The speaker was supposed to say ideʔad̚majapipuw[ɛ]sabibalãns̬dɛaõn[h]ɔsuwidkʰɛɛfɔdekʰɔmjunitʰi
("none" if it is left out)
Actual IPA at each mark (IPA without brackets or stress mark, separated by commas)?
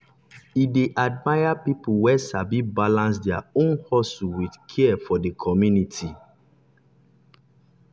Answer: ɛ, h